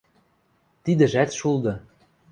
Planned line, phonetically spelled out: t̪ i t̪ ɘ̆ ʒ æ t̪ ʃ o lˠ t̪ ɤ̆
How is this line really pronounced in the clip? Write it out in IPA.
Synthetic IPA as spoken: t̪ i d̪ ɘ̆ ʒ æ t̪ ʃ u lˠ d̪ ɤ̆